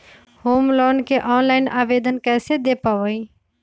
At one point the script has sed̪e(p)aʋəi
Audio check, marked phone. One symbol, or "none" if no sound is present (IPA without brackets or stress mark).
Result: p